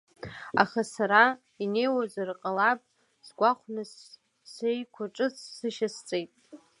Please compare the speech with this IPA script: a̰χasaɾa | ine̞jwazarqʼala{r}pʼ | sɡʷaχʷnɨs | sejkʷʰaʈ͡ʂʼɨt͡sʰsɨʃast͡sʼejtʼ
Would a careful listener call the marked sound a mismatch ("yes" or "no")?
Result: yes